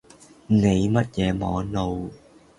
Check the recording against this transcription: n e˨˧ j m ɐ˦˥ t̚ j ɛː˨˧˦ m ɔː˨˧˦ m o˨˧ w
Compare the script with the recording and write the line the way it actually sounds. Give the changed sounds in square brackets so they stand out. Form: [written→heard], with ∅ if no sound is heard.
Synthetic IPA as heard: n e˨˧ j m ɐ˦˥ t̚ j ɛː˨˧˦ m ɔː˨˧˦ [m→n] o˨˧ w